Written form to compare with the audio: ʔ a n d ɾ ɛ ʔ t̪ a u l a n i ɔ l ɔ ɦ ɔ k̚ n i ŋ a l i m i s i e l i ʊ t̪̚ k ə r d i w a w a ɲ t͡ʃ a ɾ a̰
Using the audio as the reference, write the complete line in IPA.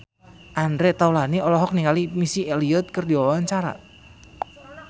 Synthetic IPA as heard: ʔ a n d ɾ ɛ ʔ t̪ a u l a n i ɔ l ɔ ɦ ɔ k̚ n i ŋ a l i m i s i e l i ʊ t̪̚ k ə r d i w a w a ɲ t͡ʃ a ɾ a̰